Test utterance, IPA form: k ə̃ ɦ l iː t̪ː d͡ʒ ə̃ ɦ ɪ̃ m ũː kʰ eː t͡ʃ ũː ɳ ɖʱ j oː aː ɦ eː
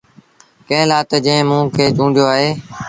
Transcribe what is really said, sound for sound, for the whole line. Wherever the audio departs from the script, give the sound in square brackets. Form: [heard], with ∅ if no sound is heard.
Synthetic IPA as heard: k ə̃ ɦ l [aː] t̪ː d͡ʒ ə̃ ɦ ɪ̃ m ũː kʰ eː t͡ʃ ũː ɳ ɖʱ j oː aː ɦ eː